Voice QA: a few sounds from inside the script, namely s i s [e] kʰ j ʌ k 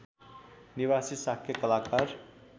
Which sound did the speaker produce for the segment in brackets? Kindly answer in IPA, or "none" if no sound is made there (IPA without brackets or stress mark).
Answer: a